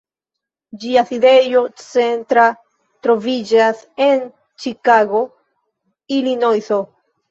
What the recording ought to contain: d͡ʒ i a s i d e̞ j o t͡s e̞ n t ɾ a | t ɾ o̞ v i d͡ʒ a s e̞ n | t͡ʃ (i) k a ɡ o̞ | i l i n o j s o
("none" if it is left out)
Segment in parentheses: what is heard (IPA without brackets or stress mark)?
i